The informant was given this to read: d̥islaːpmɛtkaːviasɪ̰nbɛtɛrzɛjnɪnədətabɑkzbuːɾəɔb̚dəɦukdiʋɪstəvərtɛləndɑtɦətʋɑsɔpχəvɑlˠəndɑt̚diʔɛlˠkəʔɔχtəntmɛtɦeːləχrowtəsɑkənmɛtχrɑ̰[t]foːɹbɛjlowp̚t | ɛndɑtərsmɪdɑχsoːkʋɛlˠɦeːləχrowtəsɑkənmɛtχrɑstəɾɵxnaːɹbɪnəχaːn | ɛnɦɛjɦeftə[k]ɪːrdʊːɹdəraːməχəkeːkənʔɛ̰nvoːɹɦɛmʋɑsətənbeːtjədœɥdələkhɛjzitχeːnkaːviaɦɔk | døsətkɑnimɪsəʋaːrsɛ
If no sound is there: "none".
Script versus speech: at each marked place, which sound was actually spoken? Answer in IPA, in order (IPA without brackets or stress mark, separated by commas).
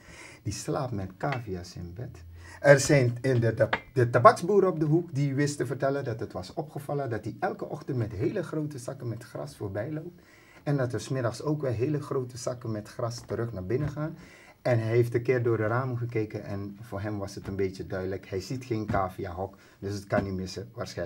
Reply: s, k